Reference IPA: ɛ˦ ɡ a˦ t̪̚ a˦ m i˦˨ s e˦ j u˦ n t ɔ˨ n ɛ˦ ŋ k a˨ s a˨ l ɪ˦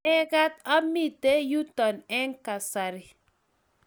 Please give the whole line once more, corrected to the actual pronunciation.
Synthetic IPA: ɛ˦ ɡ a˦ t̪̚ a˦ m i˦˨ t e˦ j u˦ t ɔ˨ n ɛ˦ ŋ k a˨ s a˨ ɾ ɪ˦